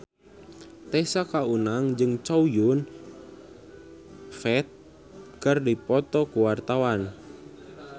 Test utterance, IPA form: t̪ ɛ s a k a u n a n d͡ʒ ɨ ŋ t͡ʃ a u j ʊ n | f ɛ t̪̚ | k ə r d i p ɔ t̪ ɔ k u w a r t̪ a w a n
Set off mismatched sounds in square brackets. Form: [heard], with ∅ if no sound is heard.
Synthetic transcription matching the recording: t̪ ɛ s a k a u n a [ŋ] d͡ʒ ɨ ŋ t͡ʃ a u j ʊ n | f ɛ t̪̚ | k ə r d i p ɔ t̪ ɔ k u w a r t̪ a w a n